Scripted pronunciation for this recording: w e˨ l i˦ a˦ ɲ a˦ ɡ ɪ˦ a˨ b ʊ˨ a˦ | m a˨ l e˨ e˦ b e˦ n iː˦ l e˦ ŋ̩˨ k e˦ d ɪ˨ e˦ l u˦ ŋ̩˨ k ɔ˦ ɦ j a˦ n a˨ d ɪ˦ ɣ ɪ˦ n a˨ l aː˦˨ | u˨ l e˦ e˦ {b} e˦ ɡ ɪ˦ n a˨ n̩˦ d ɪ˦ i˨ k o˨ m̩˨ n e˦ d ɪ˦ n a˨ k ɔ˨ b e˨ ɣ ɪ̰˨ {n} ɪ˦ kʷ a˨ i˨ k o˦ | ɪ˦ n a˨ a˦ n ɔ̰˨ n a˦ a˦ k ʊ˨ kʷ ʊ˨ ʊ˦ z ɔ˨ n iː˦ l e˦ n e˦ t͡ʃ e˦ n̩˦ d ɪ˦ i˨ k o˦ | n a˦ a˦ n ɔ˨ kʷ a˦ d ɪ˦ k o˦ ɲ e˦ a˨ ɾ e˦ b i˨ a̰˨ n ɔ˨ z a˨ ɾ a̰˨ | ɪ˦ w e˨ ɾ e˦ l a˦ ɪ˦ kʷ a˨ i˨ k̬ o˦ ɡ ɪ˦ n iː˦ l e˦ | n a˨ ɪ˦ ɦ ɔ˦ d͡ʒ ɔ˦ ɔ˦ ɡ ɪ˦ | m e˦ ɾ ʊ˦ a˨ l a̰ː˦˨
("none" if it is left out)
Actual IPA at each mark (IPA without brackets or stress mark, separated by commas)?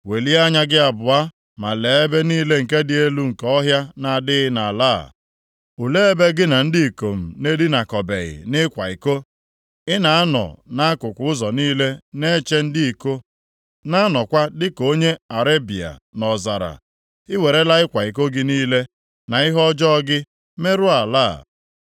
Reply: b, n